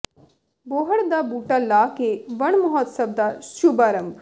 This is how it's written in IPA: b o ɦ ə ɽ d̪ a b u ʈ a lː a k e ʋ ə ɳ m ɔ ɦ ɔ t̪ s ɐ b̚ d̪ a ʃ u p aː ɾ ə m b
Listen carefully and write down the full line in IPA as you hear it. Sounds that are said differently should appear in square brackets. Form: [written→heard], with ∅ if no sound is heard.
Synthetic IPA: b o ɦ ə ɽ d̪ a b u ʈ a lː a k e ʋ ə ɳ m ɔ ɦ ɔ t̪ s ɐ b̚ d̪ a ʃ u [p→b] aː ɾ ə m b